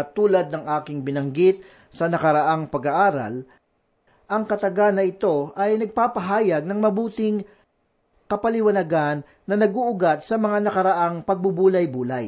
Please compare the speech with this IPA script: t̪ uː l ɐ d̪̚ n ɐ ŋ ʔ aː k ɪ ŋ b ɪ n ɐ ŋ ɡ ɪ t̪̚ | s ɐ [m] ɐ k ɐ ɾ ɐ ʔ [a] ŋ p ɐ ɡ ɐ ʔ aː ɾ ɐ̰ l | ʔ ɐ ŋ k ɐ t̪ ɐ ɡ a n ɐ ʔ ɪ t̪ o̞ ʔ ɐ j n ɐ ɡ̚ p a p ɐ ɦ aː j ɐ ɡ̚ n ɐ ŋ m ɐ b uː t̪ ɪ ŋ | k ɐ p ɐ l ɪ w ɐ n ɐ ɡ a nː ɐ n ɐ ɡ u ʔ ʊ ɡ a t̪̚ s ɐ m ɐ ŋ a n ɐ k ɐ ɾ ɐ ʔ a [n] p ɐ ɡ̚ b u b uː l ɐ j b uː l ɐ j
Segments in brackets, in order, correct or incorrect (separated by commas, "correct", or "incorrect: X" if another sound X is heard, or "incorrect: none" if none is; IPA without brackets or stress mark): incorrect: n, correct, incorrect: ŋ